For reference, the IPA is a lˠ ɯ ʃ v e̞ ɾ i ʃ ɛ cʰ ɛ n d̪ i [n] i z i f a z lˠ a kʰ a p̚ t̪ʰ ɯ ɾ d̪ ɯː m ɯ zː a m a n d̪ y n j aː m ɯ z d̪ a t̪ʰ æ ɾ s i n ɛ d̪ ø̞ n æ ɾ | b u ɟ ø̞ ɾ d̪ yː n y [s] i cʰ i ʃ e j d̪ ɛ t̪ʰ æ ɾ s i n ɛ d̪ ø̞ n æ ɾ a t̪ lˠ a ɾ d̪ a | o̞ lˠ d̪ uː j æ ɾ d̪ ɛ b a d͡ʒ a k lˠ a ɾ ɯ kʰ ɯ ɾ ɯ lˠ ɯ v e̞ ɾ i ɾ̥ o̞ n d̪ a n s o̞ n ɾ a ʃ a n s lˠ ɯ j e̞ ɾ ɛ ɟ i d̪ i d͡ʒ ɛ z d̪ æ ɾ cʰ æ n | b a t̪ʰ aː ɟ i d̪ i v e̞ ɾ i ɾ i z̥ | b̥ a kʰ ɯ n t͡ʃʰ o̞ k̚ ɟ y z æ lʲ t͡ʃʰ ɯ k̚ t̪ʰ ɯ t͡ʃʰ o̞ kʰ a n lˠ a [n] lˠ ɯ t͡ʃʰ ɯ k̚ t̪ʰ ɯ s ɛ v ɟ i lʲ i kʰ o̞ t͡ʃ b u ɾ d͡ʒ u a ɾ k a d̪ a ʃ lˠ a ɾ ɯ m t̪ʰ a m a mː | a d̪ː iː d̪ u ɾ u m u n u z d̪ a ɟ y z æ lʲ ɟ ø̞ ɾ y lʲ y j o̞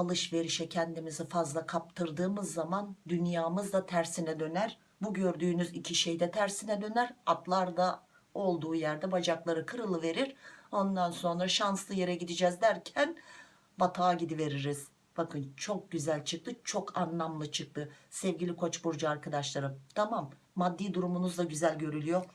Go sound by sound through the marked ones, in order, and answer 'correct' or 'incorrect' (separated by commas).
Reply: incorrect, incorrect, incorrect